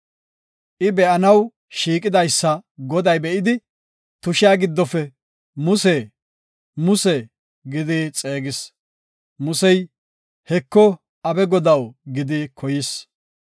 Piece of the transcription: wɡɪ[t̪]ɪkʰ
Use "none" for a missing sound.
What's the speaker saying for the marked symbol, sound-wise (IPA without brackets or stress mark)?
d̪